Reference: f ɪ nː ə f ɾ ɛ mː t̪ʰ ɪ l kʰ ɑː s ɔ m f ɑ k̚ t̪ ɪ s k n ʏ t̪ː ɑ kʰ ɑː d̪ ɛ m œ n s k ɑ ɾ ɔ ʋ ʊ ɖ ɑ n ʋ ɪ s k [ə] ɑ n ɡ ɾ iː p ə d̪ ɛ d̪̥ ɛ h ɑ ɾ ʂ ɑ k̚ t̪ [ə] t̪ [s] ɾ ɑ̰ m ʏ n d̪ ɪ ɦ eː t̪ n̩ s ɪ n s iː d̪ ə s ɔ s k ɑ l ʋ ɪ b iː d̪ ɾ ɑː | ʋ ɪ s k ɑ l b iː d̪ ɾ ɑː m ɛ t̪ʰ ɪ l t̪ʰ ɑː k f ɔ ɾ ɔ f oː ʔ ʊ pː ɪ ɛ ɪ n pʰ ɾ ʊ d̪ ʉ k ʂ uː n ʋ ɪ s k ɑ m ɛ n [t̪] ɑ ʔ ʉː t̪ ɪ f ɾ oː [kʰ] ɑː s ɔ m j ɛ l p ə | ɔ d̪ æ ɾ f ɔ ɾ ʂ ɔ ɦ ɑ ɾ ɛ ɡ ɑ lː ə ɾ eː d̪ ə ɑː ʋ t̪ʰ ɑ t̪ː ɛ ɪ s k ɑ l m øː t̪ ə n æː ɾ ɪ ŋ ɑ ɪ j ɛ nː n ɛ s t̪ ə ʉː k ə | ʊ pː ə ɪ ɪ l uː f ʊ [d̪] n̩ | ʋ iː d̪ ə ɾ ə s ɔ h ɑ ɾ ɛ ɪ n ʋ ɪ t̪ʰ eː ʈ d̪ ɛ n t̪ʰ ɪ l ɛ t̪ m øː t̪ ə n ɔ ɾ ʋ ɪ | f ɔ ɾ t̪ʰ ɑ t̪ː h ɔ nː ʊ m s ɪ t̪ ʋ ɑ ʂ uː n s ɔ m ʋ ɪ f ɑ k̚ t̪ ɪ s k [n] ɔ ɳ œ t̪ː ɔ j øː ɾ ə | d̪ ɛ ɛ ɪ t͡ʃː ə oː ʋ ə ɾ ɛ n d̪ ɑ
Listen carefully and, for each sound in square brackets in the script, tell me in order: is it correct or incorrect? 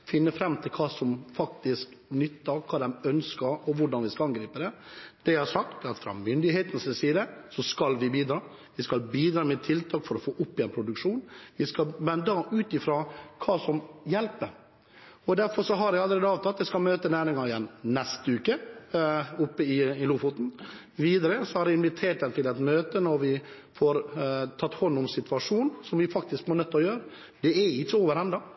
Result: incorrect, incorrect, incorrect, incorrect, correct, incorrect, incorrect

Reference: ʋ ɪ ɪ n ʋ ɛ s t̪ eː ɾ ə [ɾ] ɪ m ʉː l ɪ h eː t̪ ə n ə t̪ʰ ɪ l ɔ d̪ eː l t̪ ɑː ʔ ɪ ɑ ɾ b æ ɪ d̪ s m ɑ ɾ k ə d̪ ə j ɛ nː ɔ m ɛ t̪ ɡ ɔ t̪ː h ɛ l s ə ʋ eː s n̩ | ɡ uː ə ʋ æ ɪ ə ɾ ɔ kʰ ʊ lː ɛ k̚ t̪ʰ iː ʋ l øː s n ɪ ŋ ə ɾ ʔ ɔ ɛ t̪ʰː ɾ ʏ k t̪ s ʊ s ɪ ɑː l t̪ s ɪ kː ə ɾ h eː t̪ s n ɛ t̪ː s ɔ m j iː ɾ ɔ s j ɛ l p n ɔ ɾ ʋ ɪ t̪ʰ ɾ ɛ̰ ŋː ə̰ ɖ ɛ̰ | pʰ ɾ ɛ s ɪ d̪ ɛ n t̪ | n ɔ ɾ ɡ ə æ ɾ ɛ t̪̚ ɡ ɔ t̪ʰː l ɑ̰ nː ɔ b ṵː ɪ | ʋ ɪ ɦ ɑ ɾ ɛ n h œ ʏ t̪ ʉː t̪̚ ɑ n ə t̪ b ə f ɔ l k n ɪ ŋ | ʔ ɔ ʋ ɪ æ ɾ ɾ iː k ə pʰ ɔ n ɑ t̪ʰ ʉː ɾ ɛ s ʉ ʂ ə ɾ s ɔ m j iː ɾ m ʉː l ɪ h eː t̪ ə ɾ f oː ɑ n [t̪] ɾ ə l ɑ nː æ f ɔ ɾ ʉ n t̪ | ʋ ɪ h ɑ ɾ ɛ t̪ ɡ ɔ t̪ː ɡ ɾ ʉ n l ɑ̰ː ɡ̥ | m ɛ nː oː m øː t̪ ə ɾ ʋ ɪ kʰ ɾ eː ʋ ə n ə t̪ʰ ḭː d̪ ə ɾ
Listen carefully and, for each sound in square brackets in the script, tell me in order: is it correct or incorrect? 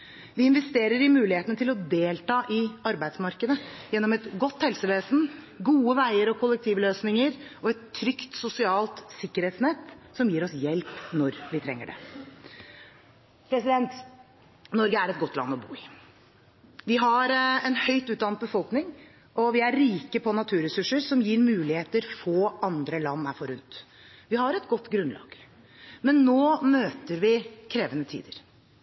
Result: correct, incorrect

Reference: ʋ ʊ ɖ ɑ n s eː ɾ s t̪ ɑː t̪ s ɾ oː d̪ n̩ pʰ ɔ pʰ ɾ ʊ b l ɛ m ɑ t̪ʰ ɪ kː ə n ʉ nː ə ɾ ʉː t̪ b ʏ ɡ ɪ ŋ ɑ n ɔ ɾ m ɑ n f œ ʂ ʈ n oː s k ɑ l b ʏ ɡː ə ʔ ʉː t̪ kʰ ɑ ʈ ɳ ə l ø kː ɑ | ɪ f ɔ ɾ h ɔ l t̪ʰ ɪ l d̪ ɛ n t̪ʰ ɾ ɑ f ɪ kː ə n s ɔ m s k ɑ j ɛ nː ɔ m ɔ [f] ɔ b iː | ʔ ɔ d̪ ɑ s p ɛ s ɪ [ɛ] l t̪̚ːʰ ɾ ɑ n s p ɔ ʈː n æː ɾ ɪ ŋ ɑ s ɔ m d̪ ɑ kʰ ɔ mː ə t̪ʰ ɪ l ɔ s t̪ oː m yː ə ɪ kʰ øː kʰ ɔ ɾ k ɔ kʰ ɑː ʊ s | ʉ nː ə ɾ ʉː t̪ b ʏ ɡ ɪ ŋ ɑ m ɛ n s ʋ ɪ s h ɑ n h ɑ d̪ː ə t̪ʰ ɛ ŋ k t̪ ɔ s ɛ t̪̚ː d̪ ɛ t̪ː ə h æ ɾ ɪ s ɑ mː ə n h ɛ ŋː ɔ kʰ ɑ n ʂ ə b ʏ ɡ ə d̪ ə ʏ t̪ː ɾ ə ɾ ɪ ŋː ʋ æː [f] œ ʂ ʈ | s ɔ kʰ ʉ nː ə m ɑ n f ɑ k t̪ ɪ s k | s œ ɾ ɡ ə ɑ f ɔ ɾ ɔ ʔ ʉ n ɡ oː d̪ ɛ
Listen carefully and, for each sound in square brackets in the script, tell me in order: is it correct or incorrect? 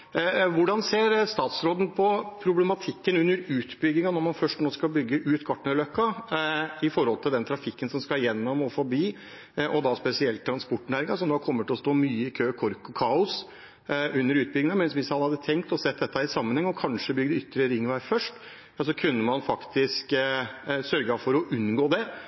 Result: correct, correct, correct

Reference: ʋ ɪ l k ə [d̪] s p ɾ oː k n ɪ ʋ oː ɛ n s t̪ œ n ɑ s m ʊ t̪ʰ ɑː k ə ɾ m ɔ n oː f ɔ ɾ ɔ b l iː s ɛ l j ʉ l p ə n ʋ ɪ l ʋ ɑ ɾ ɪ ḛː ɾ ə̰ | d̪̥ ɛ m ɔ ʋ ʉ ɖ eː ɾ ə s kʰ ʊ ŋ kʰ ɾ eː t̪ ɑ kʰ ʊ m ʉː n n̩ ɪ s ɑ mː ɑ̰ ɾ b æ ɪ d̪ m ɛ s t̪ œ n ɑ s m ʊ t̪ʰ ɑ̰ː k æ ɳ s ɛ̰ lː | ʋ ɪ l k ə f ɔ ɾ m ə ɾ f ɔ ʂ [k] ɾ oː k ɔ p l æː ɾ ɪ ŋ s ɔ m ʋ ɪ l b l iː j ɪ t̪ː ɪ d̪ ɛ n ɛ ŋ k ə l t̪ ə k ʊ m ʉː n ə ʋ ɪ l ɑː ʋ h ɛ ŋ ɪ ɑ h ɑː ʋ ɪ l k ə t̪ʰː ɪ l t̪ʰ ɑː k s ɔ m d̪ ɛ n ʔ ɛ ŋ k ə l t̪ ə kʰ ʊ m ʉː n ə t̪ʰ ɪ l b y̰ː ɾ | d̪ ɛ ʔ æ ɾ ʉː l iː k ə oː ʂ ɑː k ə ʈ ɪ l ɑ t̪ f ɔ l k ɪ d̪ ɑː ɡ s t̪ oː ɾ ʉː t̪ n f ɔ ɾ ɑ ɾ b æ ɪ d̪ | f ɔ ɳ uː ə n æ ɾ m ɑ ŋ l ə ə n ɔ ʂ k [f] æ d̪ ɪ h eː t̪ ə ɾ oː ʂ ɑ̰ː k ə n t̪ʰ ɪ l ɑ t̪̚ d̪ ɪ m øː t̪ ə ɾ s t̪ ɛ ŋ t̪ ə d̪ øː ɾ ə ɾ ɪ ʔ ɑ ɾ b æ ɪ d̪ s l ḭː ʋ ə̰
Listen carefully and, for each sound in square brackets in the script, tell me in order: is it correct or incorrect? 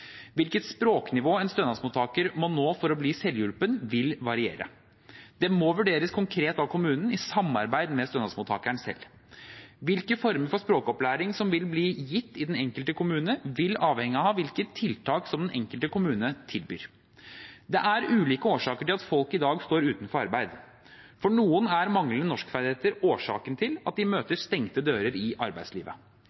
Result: incorrect, incorrect, correct

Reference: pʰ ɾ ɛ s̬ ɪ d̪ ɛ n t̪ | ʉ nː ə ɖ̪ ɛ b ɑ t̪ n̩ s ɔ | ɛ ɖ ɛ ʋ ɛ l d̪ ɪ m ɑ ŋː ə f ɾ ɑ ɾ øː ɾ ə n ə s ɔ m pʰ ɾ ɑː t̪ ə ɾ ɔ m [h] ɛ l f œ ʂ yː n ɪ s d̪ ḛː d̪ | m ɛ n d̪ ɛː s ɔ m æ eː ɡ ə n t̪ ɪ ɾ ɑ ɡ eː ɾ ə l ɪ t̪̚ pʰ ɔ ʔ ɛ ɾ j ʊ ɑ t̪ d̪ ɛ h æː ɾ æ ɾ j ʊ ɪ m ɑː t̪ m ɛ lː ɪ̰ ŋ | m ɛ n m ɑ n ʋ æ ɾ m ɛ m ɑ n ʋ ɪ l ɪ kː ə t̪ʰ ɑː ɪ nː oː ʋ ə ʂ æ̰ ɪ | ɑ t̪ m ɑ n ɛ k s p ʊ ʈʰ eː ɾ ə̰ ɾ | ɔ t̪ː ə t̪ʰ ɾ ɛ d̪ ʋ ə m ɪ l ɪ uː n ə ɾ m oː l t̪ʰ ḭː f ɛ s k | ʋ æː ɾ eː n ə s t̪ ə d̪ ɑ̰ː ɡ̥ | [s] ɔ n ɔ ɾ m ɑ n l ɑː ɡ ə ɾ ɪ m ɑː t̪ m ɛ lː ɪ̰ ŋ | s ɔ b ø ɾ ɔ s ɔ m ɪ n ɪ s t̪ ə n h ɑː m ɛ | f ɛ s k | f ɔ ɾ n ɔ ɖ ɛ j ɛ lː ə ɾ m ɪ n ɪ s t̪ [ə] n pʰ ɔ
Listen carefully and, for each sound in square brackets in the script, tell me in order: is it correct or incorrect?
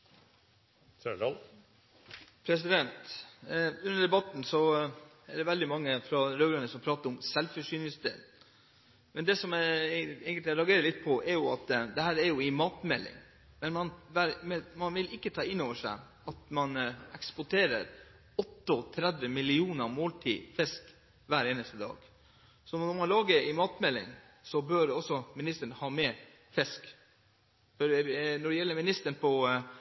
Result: incorrect, correct, correct

